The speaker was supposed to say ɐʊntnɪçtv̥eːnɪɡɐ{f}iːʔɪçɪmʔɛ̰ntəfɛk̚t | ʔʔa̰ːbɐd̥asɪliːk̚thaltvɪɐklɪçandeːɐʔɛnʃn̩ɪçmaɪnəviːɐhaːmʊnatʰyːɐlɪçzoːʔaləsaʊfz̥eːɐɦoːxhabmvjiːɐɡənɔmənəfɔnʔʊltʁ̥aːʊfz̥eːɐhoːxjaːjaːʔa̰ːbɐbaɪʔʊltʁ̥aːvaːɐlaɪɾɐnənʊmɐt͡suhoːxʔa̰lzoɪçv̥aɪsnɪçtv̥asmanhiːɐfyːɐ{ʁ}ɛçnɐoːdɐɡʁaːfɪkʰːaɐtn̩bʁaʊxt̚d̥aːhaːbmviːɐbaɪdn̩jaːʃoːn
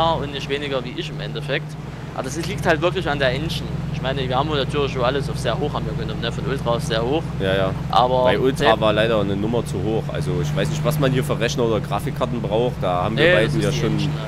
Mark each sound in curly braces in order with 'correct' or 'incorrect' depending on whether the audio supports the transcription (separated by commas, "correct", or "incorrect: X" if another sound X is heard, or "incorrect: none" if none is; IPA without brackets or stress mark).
incorrect: v, correct